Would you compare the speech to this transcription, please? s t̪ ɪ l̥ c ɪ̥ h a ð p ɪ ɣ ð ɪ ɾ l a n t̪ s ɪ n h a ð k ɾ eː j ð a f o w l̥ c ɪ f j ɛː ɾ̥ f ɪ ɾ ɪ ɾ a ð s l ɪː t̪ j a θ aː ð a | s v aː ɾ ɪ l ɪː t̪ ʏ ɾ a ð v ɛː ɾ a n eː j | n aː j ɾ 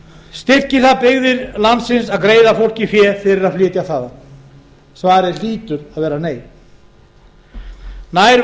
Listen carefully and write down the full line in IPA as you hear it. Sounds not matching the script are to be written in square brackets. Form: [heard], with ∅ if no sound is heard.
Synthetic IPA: s t̪ ɪ [r̥] c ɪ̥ [θ] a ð p ɪ ɣ ð ɪ ɾ l a n t̪ s ɪ n [s] a ð k ɾ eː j ð a f o w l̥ c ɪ f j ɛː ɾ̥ f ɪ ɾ ɪ ɾ a ð [f] l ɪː t̪ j a θ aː ð a | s v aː ɾ ɪ l [iː] t̪ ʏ ɾ a ð v ɛː ɾ a n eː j | n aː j ɾ